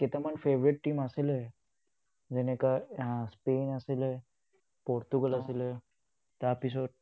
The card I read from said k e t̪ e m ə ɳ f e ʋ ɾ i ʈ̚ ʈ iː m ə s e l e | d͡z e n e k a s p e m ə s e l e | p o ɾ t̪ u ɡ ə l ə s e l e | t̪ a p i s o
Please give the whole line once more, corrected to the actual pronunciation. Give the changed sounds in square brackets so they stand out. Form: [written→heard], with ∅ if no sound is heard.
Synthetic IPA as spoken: k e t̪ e m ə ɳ f e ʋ ɾ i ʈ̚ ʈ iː m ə s e l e | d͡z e n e k a s p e [m→n] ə s e l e | p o ɾ t̪ u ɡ ə l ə s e l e | t̪ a p i s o